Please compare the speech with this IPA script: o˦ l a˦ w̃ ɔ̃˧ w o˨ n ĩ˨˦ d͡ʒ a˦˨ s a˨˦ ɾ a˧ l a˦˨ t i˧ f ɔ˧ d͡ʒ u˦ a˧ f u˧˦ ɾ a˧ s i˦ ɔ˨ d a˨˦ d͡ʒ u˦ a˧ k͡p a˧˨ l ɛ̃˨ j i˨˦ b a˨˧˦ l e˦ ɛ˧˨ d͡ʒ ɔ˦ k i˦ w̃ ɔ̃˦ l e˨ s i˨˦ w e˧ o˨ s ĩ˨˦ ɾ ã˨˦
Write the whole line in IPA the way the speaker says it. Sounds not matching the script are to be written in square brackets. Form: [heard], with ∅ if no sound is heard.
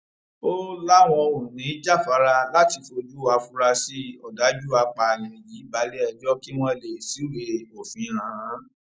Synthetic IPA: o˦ l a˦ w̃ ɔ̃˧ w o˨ n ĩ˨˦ d͡ʒ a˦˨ [f] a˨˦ ɾ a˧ l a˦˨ t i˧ f [o˧] d͡ʒ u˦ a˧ f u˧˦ ɾ a˧ s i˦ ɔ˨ d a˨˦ d͡ʒ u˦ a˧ k͡p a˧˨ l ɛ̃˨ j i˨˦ b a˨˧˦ l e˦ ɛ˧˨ d͡ʒ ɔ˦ k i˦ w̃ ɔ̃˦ l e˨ s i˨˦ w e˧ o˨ [f] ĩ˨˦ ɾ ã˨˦